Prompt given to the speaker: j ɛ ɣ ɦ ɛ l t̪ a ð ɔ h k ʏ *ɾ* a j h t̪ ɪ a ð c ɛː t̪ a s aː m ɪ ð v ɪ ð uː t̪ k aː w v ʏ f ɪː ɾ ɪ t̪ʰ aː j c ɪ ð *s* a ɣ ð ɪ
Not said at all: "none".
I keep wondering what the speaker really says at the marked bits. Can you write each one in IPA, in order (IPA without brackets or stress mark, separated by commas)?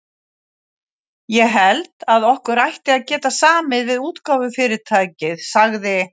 ɾ, s